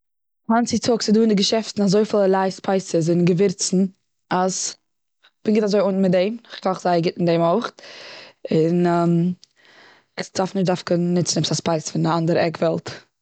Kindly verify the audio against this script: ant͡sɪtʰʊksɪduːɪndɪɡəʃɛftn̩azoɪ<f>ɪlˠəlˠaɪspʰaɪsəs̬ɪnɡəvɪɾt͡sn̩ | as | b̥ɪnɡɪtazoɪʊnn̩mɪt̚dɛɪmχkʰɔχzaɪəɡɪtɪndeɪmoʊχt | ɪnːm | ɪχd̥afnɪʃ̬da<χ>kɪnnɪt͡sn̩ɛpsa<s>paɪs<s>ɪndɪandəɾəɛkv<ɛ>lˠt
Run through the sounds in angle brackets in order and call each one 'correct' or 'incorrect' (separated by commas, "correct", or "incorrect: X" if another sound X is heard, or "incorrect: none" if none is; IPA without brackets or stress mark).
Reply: correct, incorrect: f, correct, incorrect: f, correct